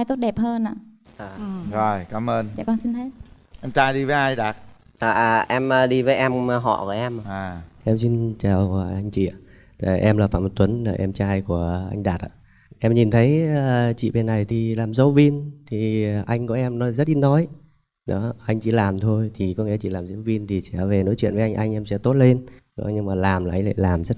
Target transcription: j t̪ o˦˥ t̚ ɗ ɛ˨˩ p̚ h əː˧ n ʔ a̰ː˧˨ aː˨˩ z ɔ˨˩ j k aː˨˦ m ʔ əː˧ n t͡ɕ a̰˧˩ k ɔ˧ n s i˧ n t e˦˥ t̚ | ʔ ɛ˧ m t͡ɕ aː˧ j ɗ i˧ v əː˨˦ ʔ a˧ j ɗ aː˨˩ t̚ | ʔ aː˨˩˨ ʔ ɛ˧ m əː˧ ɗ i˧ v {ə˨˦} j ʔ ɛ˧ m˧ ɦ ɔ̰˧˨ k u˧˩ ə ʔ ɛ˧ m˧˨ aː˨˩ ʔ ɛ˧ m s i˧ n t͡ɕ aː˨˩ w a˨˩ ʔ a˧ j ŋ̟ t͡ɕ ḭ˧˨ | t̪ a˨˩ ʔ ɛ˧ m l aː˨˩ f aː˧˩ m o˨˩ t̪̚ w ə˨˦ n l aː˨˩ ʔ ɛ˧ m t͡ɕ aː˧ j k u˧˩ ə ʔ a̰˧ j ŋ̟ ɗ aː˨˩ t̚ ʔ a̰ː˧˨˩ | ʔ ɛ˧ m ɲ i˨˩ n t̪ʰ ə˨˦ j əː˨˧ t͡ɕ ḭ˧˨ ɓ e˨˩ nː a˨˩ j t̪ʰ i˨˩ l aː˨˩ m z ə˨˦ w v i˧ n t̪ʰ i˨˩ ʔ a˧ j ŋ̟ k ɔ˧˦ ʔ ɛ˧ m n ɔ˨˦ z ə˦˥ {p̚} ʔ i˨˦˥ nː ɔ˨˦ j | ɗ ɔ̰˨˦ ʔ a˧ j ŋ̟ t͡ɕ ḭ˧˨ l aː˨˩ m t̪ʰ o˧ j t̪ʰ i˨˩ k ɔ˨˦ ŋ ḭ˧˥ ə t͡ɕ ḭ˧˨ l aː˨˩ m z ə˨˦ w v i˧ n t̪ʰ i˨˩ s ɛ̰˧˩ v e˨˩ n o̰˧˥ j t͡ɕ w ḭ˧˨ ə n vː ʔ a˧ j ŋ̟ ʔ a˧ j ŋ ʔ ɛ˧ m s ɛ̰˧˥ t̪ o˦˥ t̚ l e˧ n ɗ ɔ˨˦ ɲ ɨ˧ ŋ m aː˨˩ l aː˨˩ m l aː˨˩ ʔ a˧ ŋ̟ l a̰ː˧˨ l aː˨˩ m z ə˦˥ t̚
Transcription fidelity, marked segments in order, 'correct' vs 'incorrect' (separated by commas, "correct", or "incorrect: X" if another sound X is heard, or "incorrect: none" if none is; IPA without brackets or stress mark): incorrect: əː˨˦, incorrect: t̚